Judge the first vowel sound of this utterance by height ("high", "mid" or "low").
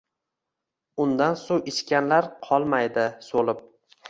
high